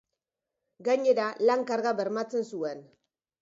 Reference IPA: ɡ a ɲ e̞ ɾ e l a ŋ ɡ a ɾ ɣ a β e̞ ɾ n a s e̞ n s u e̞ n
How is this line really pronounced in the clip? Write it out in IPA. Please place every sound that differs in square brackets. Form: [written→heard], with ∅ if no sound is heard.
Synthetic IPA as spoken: ɡ a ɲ e̞ ɾ [e→a] l a ŋ [ɡ→k] a ɾ ɣ a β e̞ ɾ [n→m] a [s→t͡s] e̞ n s u e̞ n

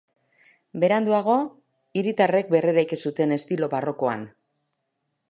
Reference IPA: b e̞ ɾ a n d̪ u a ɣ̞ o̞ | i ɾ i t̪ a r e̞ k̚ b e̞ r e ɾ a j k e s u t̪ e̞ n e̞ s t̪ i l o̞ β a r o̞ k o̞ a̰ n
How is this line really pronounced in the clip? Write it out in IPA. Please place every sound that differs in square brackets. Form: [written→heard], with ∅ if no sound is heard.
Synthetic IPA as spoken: b e̞ ɾ a n d̪ u a ɣ̞ o̞ | i ɾ i t̪ a r e̞ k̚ b e̞ r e ɾ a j k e s u t̪ e̞ n e̞ s t̪ i l o̞ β a r o̞ k o̞ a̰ n

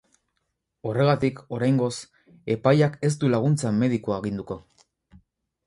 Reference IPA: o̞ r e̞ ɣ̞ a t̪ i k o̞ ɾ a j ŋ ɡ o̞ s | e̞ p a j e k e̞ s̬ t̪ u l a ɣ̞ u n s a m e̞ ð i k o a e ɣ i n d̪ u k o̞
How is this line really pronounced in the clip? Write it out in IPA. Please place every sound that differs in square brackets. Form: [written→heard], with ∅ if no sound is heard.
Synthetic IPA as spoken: o̞ r e̞ ɣ̞ a t̪ i k o̞ ɾ a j ŋ ɡ o̞ s | e̞ p a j [e→a] k e̞ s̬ t̪ u l a ɣ̞ u n [s→t͡s] a m e̞ ð i k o a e ɣ i n d̪ u k o̞

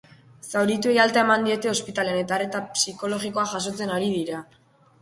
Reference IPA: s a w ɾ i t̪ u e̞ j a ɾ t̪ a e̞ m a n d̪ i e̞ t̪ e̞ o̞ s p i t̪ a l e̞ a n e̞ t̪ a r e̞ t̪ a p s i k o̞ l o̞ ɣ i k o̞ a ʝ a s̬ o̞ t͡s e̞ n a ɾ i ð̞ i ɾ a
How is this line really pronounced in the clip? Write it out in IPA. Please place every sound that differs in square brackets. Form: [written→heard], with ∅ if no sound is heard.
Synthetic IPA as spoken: s a w ɾ i t̪ u e̞ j a [ɾ→l] t̪ a e̞ m a n d̪ i e̞ t̪ e̞ o̞ s p i t̪ a l e̞ a n e̞ t̪ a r e̞ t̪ a p s i k o̞ l o̞ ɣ i k o̞ a ʝ a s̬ o̞ t͡s e̞ n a ɾ i ð̞ i ɾ a

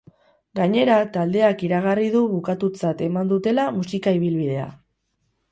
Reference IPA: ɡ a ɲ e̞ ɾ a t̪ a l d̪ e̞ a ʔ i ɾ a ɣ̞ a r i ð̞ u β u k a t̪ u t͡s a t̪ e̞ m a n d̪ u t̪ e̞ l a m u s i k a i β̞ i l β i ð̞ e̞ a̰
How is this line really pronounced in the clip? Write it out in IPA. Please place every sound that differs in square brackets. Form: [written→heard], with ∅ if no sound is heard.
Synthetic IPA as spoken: ɡ a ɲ e̞ ɾ a t̪ a l d̪ e̞ a [ʔ→k] i ɾ a ɣ̞ a r i ð̞ u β u k a t̪ u t͡s a t̪ e̞ m a n d̪ u t̪ e̞ l a m u s i k a i β̞ i l β i ð̞ e̞ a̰

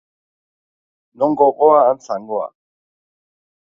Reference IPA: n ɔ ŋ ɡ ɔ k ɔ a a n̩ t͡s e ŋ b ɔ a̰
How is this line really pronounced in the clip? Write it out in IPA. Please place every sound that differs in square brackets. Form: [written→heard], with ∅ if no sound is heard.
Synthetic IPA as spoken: n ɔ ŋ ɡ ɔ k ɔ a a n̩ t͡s [e→a] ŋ [b→ɡ] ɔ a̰

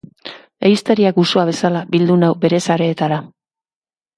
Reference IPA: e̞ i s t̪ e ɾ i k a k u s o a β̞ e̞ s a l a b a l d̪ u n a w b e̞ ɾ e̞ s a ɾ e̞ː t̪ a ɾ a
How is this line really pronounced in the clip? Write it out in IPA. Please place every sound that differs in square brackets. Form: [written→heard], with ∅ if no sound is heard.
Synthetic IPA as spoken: e̞ i s t̪ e ɾ i [k→∅] a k u s o a β̞ e̞ s a l a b [a→i] l d̪ u n a w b e̞ ɾ e̞ s a ɾ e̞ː t̪ a ɾ a

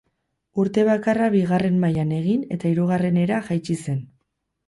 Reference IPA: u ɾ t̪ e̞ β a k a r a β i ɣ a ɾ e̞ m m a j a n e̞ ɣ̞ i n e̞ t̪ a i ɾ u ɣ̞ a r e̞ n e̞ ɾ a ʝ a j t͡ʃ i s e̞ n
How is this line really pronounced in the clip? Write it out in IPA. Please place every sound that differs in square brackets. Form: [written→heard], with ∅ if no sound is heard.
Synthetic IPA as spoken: u ɾ t̪ e̞ β a k a r a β i ɣ a [ɾ→r] e̞ m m a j a n e̞ ɣ̞ i n e̞ t̪ a i ɾ u ɣ̞ a r e̞ n e̞ ɾ a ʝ a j t͡ʃ i s e̞ n

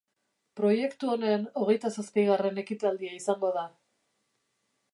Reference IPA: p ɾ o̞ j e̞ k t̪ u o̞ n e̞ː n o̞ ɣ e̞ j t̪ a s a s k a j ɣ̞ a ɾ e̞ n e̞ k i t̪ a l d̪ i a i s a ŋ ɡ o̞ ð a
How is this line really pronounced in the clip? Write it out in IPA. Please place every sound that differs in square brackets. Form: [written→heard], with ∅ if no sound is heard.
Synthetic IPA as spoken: p ɾ o̞ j e̞ k t̪ u o̞ n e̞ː n o̞ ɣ e̞ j t̪ a s a s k a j ɣ̞ a [ɾ→r] e̞ n e̞ k i t̪ a l d̪ i a i s a ŋ ɡ o̞ ð a

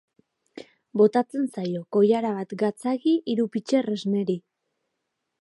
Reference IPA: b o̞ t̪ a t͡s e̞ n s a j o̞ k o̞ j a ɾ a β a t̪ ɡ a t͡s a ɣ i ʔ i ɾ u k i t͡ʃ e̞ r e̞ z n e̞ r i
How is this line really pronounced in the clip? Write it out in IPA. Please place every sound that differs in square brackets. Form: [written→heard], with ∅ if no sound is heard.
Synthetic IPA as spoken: b o̞ t̪ a t͡s e̞ n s a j o̞ k o̞ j a ɾ a β a t̪ ɡ a t͡s a ɣ i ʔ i ɾ u [k→p] i t͡ʃ e̞ r e̞ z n e̞ [r→ɾ] i

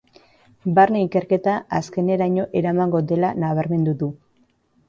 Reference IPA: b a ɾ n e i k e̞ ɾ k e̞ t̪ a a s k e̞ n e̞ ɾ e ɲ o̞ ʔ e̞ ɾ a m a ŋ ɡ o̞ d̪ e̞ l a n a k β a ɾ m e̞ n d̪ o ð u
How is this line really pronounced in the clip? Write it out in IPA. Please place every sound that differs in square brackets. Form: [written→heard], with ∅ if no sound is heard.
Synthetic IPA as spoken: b a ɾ n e i k e̞ ɾ k e̞ t̪ a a s k e̞ n e̞ ɾ [e→a] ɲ o̞ ʔ e̞ ɾ a m a ŋ ɡ o̞ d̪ e̞ l a n a [k→∅] β a ɾ m e̞ n d̪ [o→u] ð u

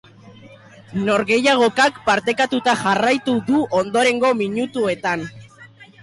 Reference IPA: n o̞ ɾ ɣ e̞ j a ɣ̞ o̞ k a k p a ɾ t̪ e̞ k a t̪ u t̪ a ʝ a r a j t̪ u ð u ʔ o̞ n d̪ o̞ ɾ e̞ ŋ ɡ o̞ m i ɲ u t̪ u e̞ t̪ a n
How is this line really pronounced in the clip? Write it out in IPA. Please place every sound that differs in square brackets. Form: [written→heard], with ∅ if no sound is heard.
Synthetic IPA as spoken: n o̞ ɾ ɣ e̞ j a ɣ̞ o̞ k a k p a ɾ t̪ e̞ k a t̪ u t̪ a ʝ a r a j t̪ u ð u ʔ o̞ n d̪ o̞ ɾ e̞ ŋ ɡ o̞ m i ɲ u t̪ u e̞ t̪ a n

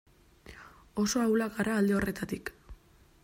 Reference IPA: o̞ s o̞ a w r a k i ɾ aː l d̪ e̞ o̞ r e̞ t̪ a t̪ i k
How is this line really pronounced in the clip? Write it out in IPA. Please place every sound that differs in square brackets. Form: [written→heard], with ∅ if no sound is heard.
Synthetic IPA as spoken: o̞ s o̞ a w [r→l] a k [i→a] ɾ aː l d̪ e̞ o̞ r e̞ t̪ a t̪ i k

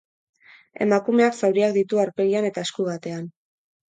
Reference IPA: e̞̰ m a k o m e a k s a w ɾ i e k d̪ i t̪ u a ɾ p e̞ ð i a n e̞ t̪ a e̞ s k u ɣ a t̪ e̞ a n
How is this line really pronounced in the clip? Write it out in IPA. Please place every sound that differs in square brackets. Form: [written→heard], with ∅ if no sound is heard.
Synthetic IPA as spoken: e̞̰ m a k [o→u] m e a k s a w ɾ i [e→a] k d̪ i t̪ u a ɾ p e̞ [ð→ɣ] i a n e̞ t̪ a e̞ s k u ɣ a t̪ e̞ a n

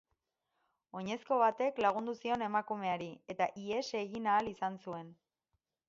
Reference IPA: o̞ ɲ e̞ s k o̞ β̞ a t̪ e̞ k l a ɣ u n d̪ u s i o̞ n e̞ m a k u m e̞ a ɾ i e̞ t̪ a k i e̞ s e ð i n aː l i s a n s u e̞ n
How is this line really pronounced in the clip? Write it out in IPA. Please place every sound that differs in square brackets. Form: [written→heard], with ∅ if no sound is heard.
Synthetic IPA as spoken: o̞ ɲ e̞ s k o̞ β̞ a t̪ e̞ k l a ɣ u n d̪ u s i o̞ n e̞ m a k u m e̞ a ɾ i e̞ t̪ a [k→ʔ] i e̞ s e [ð→ɣ] i n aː l i s a n s u e̞ n

